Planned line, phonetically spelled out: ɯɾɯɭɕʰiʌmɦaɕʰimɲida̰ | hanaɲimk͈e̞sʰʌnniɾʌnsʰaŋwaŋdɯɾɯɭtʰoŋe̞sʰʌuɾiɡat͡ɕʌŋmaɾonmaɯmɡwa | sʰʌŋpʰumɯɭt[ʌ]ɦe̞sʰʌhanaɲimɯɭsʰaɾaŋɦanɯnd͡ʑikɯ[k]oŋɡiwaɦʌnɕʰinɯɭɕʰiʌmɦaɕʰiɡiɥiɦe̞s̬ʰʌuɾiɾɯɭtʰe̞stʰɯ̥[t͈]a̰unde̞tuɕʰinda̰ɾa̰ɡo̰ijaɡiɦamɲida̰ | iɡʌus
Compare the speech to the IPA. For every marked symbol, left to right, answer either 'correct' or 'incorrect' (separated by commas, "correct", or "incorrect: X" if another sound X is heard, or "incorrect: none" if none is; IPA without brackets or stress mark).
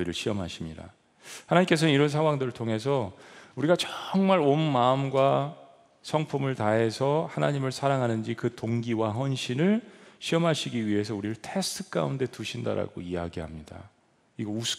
incorrect: a, incorrect: t, incorrect: k͈